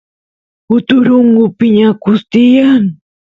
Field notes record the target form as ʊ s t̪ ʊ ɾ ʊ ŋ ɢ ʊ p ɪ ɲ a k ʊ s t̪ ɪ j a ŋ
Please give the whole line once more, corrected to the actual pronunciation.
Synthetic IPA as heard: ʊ t̪ ʊ ɾ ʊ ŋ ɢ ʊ p ɪ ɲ a k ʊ s t̪ ɪ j a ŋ